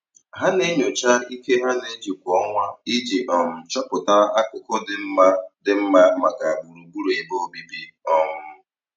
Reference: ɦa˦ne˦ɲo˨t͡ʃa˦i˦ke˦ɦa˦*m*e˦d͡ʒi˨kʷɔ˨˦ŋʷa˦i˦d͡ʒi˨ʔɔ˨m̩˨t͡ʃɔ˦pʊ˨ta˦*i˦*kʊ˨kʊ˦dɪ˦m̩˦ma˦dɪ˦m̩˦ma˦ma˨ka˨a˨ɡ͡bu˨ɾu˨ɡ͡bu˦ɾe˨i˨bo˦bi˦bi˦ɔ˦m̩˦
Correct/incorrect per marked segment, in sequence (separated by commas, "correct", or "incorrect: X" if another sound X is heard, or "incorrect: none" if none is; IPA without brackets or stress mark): incorrect: n, incorrect: a˦